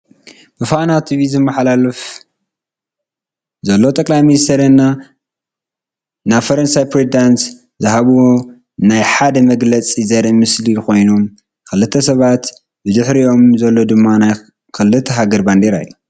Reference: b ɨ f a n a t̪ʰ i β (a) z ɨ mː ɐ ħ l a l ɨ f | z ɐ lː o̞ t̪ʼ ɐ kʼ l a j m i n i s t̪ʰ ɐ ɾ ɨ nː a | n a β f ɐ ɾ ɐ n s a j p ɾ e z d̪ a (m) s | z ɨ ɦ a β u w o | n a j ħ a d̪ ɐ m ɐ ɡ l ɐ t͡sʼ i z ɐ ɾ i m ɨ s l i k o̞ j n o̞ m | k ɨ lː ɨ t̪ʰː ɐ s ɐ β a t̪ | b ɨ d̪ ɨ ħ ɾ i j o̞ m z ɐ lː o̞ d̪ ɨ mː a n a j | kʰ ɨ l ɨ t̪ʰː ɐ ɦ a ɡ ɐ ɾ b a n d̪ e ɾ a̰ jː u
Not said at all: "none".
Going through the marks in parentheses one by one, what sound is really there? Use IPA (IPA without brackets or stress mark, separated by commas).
i, n